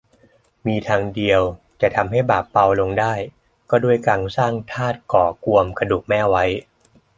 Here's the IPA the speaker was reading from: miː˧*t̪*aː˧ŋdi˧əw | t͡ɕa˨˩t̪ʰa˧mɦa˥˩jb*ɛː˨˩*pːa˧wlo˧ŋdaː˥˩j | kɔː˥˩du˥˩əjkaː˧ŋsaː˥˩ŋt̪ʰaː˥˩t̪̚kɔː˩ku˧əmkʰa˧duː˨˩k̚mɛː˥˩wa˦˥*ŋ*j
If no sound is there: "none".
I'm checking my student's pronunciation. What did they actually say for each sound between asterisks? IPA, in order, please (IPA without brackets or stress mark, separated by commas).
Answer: t̪ʰ, aː˨˩, none